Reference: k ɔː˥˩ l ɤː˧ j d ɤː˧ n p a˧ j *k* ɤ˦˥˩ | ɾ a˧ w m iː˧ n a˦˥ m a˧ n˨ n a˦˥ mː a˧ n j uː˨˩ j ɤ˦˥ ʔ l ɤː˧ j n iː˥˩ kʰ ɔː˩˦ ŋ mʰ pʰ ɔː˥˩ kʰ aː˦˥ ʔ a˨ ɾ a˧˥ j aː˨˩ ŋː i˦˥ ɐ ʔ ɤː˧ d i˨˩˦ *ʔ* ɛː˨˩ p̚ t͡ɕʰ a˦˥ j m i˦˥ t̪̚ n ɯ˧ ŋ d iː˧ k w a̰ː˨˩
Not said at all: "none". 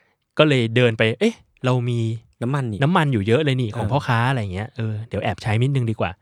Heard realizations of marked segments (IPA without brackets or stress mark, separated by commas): ʔ, ʔ